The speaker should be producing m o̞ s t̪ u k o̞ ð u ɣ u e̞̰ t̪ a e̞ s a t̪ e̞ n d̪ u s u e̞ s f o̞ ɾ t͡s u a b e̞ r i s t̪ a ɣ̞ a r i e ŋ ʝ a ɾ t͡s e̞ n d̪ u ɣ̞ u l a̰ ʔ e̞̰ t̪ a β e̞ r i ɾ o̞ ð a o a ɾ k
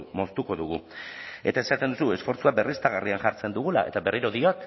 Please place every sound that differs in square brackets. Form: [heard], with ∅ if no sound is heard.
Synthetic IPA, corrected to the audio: m o̞ s t̪ u k o̞ ð u ɣ u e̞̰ t̪ a e̞ s a t̪ e̞ n d̪ u s u e̞ s f o̞ ɾ t͡s u a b e̞ r i s t̪ a ɣ̞ a r i [a] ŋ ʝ a ɾ t͡s e̞ n d̪ u ɣ̞ u l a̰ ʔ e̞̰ t̪ a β e̞ r i ɾ o̞ ð [i] o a [∅] k

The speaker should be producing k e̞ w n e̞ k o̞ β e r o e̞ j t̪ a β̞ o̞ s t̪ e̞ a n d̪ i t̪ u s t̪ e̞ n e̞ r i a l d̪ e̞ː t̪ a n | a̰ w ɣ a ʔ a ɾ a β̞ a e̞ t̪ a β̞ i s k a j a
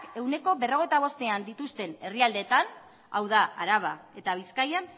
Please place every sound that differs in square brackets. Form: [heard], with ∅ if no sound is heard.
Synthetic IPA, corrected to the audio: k e̞ w n e̞ k o̞ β e r o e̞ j t̪ a β̞ o̞ s t̪ e̞ a n d̪ i t̪ u s t̪ e̞ n e̞ r i a l d̪ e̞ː t̪ a n | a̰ w [ð] a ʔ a ɾ a β̞ a e̞ t̪ a β̞ i s k a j a

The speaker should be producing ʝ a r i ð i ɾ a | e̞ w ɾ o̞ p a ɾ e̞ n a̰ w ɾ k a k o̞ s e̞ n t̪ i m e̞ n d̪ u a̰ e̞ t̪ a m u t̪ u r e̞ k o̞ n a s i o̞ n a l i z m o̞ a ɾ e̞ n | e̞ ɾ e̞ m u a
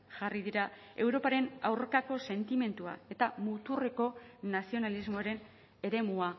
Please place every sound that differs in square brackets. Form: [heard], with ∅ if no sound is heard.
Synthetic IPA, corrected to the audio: ʝ a r i ð i ɾ a | e̞ w ɾ o̞ p a ɾ e̞ n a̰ w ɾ k a k o̞ s e̞ n t̪ i m e̞ n [t̪] u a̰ e̞ t̪ a m u t̪ u r e̞ k o̞ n a s i o̞ n a l i z m o̞ a ɾ e̞ n | e̞ ɾ e̞ m u a

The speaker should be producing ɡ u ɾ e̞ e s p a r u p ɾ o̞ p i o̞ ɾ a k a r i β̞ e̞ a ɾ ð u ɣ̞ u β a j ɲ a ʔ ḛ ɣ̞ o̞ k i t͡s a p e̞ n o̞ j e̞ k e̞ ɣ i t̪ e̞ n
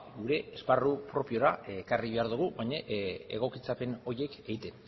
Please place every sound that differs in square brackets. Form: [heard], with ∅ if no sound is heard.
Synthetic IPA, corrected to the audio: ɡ u ɾ e̞ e s p a r u p ɾ o̞ p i o̞ ɾ a k a r i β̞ e̞ a ɾ ð u ɣ̞ u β a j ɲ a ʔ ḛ ɣ̞ o̞ k i t͡s a p e̞ n o̞ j e̞ k e̞ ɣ i t̪ e̞ n

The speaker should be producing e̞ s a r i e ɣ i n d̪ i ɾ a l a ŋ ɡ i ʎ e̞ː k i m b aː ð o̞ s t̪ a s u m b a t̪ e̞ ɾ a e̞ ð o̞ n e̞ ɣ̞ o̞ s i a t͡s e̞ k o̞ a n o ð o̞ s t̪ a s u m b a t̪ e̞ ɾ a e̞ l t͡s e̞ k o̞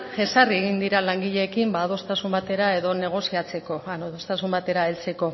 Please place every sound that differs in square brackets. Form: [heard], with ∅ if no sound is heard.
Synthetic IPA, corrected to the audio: e̞ s a r i e ɣ i n d̪ i ɾ a l a ŋ ɡ i ʎ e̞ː k i m b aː ð o̞ s t̪ a s u m b a t̪ e̞ ɾ a e̞ ð o̞ n e̞ ɣ̞ o̞ s i a t͡s e̞ k o̞ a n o ð o̞ s t̪ a s u m b a t̪ e̞ ɾ a e̞ l t͡s e̞ k o̞

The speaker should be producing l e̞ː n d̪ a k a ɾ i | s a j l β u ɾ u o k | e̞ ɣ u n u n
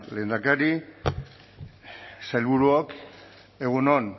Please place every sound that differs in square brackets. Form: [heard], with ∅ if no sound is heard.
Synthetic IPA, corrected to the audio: l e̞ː n d̪ a k a ɾ i | s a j l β u ɾ u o k | e̞ ɣ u n [o] n

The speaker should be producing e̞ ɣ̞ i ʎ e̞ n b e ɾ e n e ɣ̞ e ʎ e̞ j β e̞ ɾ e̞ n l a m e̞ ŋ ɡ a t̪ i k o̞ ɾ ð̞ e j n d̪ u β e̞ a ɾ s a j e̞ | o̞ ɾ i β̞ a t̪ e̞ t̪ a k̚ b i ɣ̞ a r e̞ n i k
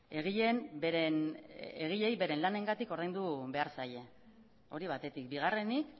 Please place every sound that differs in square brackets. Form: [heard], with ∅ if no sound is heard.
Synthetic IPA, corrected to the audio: e̞ ɣ̞ i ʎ e̞ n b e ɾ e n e ɣ̞ [i] ʎ e̞ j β e̞ ɾ e̞ n l a [n] e̞ ŋ ɡ a t̪ i k o̞ ɾ ð̞ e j n d̪ u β e̞ a ɾ s a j e̞ | o̞ ɾ i β̞ a t̪ e̞ t̪ [i] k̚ b i ɣ̞ a r e̞ n i k

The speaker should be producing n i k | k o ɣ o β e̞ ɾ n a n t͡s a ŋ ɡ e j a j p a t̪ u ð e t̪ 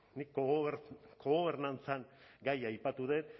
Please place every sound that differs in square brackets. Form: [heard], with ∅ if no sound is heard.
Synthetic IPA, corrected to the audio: n i k | k o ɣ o β e̞ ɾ n a n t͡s a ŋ ɡ [a] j a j p a t̪ u ð e t̪

